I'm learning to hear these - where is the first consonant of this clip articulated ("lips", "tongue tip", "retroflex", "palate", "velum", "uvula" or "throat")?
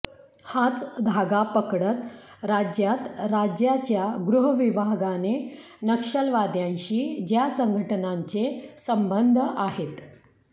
throat